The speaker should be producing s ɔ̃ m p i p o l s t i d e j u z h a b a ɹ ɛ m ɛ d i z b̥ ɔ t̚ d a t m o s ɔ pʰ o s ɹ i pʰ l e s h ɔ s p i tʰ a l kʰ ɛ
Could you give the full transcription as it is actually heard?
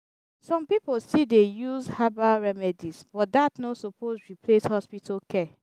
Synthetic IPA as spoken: s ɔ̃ m p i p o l s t i d e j u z h a b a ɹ ɛ m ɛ d i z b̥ ɔ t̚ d a t n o s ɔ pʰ o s ɹ i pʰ l e s h ɔ s p i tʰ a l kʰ ɛ